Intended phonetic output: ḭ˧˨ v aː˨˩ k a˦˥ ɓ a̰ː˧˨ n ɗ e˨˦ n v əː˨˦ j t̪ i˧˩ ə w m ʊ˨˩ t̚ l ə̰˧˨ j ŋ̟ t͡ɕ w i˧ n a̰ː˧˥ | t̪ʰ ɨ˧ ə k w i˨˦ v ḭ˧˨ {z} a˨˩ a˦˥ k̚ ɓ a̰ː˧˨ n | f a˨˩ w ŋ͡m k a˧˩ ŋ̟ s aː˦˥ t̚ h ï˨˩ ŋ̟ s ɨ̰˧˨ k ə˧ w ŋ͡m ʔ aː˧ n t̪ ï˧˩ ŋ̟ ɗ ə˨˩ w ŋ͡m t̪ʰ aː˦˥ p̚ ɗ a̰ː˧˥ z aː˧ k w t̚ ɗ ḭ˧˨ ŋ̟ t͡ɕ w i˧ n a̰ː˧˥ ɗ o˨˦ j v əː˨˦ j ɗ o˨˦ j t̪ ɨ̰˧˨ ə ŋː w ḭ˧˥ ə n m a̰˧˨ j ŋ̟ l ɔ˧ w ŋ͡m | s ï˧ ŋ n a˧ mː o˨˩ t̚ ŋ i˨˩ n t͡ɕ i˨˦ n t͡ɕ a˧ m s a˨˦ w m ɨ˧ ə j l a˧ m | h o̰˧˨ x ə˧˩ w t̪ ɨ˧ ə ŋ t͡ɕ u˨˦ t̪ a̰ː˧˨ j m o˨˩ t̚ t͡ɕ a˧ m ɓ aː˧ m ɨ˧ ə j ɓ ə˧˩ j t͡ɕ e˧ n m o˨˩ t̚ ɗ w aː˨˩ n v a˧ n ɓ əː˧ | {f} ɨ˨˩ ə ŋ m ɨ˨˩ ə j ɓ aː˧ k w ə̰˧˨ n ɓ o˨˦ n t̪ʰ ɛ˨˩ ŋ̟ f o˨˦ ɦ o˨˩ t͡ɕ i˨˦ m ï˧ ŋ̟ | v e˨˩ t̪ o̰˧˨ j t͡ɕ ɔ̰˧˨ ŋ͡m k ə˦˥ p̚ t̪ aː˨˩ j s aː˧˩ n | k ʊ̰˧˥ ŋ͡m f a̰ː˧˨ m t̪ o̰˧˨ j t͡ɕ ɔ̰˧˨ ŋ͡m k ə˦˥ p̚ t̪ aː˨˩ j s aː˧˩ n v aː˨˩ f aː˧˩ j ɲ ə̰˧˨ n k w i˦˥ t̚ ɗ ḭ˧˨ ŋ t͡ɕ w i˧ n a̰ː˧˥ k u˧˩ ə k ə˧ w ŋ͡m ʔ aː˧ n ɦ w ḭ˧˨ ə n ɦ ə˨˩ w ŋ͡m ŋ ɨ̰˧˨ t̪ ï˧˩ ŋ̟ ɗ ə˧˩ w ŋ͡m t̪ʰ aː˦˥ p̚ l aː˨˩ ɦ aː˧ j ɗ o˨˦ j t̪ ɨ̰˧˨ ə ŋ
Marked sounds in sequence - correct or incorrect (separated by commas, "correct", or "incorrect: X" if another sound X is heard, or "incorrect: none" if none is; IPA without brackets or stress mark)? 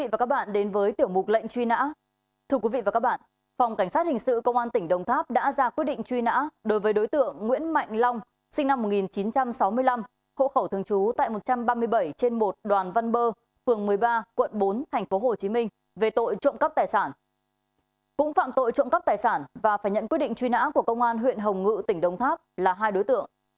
incorrect: v, correct